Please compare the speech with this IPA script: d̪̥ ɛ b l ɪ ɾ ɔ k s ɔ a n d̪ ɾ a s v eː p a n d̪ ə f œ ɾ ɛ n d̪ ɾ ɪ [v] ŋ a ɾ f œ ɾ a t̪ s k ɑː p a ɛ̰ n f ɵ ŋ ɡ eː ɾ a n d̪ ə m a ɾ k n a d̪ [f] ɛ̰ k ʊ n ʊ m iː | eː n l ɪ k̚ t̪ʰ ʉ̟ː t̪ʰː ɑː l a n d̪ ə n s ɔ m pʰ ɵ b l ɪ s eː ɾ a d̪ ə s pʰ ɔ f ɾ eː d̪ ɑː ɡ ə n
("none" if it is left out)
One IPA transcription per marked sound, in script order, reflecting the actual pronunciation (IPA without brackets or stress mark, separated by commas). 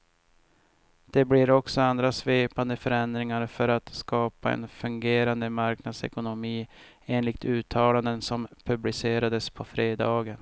none, s